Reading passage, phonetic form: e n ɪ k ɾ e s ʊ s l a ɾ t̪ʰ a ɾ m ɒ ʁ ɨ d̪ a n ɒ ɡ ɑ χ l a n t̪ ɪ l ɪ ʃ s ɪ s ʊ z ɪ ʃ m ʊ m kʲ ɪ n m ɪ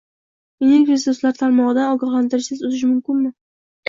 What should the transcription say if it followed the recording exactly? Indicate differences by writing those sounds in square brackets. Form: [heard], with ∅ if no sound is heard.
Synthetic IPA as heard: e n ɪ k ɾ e s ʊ s l a ɾ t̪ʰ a ɾ m ɒ ʁ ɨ d̪ a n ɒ ɡ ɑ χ l a n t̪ ɪ [ɾ] ɪ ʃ s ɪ [z] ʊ z ɪ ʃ m ʊ m kʲ ɪ n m ɪ